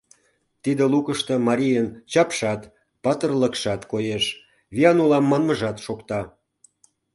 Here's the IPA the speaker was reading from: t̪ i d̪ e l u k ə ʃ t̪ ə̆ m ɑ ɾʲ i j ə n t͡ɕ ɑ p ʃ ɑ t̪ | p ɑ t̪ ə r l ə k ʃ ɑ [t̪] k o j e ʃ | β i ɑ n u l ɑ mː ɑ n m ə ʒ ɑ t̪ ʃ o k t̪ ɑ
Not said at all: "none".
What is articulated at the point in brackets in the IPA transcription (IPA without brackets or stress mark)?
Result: t̪